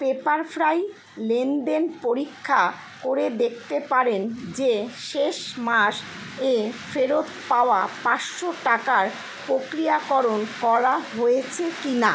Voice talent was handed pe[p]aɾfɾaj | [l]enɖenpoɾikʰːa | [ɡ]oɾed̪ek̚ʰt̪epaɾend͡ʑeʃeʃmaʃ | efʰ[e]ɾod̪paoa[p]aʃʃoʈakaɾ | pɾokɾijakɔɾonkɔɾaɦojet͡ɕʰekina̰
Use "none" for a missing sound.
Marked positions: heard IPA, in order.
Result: p, l, k, e, p

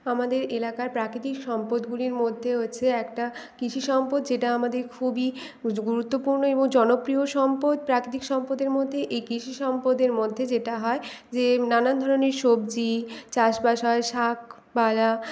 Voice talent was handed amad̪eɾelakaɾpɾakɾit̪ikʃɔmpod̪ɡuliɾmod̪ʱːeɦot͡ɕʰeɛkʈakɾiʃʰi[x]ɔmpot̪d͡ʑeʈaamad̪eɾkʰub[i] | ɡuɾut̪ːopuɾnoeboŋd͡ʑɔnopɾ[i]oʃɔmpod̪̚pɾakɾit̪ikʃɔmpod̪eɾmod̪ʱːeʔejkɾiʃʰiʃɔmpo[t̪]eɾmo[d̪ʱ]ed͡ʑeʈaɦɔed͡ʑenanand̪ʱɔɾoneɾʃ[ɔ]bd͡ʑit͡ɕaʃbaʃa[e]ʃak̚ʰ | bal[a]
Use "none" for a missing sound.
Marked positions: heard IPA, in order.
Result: ʃ, i, i, d̪, d̪ʱː, o, e, a

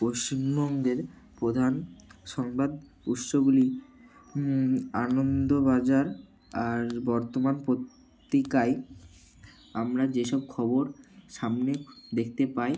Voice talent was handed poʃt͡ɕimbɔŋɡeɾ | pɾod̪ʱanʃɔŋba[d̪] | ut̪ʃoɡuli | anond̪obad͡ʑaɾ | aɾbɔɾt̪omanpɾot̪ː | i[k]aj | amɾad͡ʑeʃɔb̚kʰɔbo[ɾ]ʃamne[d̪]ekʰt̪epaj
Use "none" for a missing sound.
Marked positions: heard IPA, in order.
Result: d̪, k, ɾ, d̪

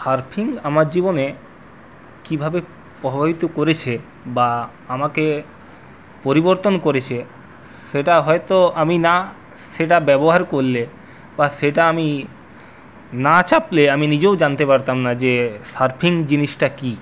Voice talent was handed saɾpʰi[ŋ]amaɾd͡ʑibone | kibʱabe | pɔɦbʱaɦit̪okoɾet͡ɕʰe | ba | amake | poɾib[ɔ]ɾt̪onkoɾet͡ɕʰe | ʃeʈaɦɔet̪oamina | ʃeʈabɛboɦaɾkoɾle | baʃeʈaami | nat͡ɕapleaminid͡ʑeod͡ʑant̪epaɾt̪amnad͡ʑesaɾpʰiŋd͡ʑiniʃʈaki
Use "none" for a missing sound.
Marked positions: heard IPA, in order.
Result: ŋ, o

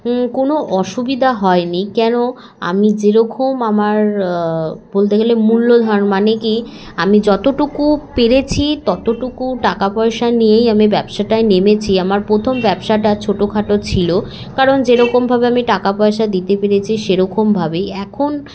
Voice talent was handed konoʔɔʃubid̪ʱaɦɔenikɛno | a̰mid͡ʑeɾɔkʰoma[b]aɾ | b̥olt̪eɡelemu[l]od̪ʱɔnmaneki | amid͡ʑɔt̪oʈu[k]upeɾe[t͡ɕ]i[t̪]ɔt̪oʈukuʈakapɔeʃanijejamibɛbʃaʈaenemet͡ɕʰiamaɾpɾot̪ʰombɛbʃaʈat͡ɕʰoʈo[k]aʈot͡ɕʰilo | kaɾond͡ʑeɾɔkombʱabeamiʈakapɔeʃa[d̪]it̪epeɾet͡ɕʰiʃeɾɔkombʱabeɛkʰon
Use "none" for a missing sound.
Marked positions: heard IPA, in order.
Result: m, lː, k, t͡ɕʰ, t̪, kʰ, d̪

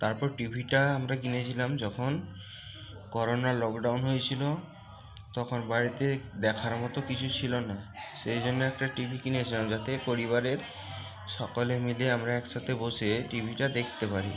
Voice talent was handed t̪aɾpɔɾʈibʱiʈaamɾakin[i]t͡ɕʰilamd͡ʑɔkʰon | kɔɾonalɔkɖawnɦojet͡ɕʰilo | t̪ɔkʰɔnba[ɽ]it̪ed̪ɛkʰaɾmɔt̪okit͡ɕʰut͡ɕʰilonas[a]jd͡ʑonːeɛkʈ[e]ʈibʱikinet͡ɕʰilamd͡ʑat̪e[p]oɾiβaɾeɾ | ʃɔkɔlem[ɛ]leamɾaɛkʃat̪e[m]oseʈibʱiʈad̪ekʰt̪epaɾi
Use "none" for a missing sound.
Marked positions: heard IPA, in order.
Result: e, ɾ, e, a, p, i, b

